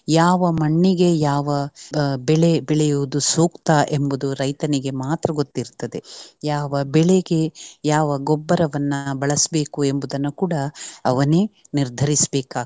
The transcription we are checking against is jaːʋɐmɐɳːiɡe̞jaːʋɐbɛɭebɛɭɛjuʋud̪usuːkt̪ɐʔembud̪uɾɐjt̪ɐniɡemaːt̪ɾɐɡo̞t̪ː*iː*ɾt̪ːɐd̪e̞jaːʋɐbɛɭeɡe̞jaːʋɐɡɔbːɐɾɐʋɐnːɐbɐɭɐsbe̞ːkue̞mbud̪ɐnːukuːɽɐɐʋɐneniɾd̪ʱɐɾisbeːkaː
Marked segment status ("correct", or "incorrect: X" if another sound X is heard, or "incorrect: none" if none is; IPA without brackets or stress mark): incorrect: i